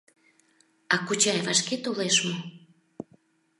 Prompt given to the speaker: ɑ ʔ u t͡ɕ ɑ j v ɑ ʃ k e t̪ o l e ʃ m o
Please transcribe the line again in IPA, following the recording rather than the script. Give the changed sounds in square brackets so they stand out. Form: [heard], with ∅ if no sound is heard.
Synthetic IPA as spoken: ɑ [k] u t͡ɕ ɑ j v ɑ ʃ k e t̪ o l e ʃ m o